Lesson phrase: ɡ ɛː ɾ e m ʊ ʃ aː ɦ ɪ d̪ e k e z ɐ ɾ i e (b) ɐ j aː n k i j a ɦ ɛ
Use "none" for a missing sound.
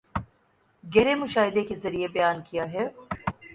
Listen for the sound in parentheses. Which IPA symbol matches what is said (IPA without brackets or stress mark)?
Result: b